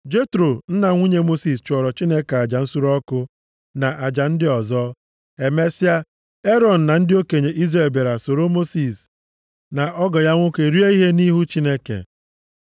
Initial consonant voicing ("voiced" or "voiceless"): voiced